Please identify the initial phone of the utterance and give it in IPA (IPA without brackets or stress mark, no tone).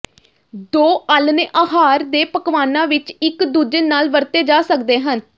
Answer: d̪